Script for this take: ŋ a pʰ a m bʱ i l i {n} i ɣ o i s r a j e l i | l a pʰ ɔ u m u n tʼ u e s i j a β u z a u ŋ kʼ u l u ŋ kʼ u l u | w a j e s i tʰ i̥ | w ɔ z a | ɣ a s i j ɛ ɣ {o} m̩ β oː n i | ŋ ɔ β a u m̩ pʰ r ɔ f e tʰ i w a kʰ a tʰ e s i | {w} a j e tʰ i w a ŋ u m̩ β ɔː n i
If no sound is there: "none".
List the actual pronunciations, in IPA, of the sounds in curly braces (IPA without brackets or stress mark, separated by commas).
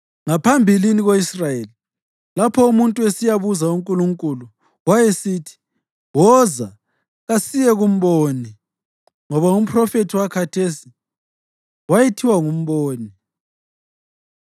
n, u, w